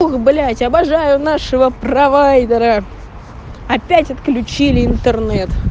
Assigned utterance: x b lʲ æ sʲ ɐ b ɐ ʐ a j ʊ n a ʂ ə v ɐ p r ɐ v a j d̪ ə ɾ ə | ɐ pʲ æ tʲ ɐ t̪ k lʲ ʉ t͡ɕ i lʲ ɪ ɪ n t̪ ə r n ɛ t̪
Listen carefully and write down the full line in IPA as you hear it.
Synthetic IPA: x b lʲ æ tʲ ɐ b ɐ ʐ a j ʊ n a ʂ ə v ə p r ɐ v a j d̪ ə ɾ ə | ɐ pʲ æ tʲ ɐ t̪ k lʲ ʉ t͡ɕ i lʲ ɪ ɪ n t̪ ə r n ɛ t̪